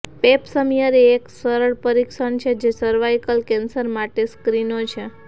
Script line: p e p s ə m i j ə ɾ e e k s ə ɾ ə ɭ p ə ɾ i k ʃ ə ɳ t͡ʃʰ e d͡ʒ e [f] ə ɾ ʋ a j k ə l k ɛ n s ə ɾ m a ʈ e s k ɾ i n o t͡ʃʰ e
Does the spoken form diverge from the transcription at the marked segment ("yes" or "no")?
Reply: yes